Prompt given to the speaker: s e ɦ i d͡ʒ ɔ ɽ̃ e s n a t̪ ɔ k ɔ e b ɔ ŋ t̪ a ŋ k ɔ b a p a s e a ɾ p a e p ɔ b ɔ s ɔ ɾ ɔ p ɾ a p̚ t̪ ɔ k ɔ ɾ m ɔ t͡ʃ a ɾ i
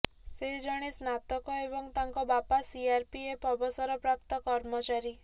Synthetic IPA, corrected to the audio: s e ɦ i d͡ʒ ɔ ɽ̃ e s n a t̪ ɔ k ɔ e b ɔ ŋ t̪ a ŋ k ɔ b a p a s i a ɾ p i e p ɔ b ɔ s ɔ ɾ ɔ p ɾ a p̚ t̪ ɔ k ɔ ɾ m ɔ t͡ʃ a ɾ i